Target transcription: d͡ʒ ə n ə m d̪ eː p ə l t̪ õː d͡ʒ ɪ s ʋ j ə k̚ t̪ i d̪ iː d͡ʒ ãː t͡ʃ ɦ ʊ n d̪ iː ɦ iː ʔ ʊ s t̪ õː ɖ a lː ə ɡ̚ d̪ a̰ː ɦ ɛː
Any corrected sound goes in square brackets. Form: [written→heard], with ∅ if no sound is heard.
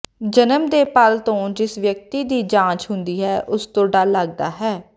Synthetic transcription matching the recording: d͡ʒ ə n ə m d̪ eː p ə l t̪ õː d͡ʒ ɪ s ʋ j ə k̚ t̪ [i→iː] d̪ iː d͡ʒ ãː t͡ʃ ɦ ʊ n d̪ iː ɦ [iː→ɛː] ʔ ʊ s t̪ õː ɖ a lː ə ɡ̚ d̪ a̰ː ɦ ɛː